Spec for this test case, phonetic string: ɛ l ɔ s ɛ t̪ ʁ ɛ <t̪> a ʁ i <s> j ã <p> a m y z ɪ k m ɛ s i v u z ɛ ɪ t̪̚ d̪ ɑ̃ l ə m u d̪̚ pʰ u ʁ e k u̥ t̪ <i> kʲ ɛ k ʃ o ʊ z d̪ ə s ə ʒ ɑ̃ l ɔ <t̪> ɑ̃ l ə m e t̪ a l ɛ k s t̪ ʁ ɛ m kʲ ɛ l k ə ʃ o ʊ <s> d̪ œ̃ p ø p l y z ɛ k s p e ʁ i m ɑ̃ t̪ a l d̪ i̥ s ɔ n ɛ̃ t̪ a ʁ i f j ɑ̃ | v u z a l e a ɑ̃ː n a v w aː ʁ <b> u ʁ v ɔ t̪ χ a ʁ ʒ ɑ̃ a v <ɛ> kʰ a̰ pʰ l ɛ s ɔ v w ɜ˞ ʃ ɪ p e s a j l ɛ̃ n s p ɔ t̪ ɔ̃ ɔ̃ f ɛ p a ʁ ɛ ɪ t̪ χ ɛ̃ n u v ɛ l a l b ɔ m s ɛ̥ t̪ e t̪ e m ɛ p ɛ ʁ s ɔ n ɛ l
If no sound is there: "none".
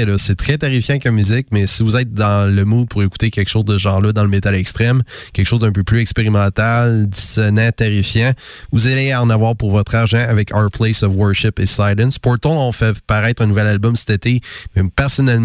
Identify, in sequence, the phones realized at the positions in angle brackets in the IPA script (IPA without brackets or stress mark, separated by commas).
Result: t̪, f, k, e, d̪, z, p, ɛ